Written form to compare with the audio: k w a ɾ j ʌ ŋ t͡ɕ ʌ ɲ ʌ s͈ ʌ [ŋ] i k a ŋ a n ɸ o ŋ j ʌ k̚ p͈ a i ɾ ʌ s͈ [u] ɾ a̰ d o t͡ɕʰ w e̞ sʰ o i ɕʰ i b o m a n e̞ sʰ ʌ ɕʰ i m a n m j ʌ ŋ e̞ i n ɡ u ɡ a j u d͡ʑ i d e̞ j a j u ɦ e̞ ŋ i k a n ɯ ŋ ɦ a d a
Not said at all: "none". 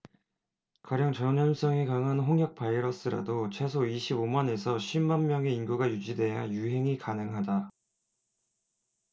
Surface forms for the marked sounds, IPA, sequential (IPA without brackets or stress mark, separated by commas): ŋ, ɯ